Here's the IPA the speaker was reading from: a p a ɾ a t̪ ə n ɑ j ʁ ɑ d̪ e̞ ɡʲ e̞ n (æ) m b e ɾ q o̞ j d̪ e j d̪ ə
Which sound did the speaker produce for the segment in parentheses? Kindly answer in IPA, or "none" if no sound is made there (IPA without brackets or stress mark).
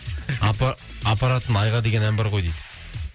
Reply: æ